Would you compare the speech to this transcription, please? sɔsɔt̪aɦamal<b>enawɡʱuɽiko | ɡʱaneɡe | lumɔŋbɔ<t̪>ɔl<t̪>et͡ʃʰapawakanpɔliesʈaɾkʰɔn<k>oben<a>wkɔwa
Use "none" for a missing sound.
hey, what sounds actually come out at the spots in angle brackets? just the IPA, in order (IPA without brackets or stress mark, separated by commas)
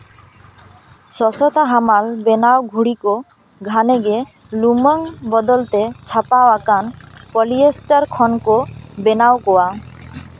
b, d̪, t̪, k, a